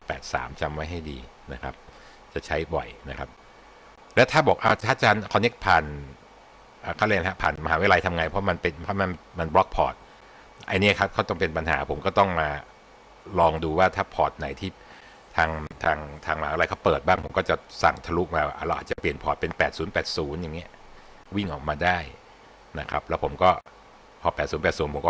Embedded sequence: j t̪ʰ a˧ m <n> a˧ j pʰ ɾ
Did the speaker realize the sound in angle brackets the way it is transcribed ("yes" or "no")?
no